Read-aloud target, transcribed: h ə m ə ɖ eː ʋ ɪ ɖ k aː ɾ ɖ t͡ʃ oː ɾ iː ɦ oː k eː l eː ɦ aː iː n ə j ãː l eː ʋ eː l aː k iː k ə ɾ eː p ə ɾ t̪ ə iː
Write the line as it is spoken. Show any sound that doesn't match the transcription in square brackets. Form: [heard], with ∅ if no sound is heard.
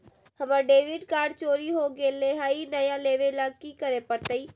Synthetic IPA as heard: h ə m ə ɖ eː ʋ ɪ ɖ k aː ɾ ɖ t͡ʃ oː ɾ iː ɦ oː [ɡ] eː l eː ɦ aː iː n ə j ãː l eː ʋ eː l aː k iː k ə ɾ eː p ə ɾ t̪ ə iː